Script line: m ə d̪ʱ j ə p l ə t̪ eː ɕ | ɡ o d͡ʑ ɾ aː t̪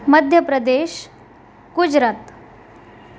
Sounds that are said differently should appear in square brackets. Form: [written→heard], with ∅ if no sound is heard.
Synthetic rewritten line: m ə d̪ʱ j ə p [l→ɾ] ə [t̪→d̪] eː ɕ | ɡ [o→u] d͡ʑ ɾ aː t̪